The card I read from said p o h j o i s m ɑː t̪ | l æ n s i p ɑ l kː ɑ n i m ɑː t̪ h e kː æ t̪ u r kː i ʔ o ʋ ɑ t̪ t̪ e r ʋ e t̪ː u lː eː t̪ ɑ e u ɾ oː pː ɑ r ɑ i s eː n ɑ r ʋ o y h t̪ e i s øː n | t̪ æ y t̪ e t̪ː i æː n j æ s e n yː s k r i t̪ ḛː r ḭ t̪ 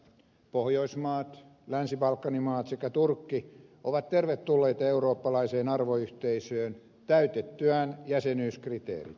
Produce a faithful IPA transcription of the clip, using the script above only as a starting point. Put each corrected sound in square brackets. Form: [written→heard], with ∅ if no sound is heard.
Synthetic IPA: p o h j o i s m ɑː t̪ | l æ n s i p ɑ l kː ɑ n i m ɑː t̪ [h→s] e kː æ t̪ u r kː i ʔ o ʋ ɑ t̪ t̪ e r ʋ e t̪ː u lː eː t̪ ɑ e u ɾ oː pː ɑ [r→l] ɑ i s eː n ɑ r ʋ o y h t̪ e i s øː n | t̪ æ y t̪ e t̪ː [i→y] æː n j æ s e n yː s k r i t̪ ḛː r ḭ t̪